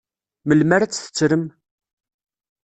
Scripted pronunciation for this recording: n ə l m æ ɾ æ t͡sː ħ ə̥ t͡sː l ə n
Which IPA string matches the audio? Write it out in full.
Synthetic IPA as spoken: m ə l m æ ɾ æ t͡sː θ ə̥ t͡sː ɾ ə m